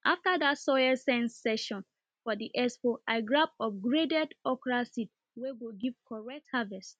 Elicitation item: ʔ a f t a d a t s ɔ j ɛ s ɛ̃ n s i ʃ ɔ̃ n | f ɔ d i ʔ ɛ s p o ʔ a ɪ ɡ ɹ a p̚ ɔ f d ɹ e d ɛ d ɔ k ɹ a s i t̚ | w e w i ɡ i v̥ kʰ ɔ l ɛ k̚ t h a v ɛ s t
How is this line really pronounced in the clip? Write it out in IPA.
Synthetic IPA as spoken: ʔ a f t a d a t s ɔ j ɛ s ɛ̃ n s ɛ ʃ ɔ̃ n | f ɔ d i ʔ ɛ s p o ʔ a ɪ ɡ ɹ a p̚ ɔ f ɡ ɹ e d ɛ d ɔ k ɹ a s i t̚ | w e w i ɡ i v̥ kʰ ɔ ɹ ɛ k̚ t h a v ɛ s t